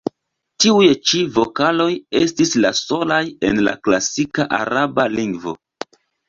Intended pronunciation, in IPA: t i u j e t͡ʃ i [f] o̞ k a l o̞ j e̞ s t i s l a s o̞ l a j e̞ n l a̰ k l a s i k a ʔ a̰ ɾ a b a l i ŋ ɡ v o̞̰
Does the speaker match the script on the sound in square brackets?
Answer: no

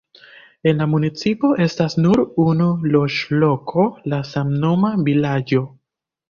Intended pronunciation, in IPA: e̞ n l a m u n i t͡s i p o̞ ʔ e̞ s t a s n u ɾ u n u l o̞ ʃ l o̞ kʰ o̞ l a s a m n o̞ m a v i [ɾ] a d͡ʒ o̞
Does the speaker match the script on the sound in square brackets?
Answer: no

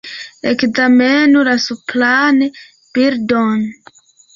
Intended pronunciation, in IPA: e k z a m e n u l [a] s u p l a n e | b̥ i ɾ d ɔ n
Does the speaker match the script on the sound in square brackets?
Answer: yes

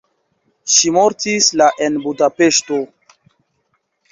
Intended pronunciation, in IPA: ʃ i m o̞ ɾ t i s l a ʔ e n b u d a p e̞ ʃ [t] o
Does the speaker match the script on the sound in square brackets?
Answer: yes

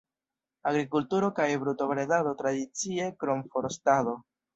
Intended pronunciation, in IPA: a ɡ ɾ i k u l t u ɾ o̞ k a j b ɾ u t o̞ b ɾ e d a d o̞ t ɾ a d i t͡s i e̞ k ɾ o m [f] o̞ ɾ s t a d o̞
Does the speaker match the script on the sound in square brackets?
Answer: yes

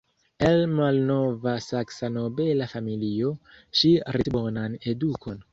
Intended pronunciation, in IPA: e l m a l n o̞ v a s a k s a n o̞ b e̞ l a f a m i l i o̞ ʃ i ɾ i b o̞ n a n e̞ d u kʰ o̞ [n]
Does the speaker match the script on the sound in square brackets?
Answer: yes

